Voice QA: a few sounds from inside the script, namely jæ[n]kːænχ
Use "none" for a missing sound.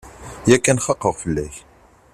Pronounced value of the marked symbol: none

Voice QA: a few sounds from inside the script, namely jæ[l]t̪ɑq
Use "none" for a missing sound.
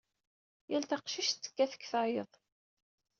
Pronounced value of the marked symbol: l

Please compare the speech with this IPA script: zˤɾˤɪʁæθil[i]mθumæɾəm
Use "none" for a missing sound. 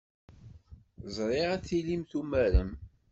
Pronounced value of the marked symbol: i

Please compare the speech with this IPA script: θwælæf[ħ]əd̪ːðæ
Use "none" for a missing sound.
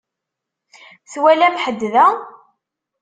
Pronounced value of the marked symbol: ħ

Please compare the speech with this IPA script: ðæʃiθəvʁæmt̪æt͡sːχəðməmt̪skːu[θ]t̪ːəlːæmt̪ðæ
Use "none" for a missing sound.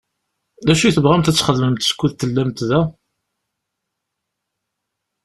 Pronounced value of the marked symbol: ð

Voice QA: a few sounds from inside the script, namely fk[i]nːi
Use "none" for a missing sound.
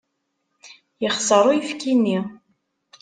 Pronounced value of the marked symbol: i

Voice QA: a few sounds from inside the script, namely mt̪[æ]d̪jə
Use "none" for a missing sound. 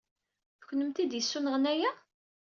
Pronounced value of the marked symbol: i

